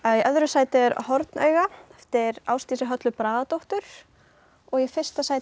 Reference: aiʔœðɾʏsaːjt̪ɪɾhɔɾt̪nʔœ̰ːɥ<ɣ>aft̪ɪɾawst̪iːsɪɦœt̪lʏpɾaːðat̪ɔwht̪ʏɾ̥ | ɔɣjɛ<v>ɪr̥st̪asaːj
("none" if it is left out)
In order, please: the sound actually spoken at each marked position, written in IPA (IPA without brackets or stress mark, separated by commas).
ɣ, f